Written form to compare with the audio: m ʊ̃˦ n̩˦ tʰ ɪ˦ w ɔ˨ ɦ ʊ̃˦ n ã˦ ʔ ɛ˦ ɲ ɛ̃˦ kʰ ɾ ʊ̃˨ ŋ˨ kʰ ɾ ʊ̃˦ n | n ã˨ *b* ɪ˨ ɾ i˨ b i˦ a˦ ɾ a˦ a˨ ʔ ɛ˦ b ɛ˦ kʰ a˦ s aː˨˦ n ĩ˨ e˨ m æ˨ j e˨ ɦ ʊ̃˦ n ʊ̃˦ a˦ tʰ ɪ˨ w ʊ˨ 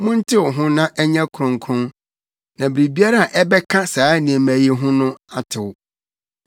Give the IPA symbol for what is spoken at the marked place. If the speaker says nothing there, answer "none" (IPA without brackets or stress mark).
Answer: b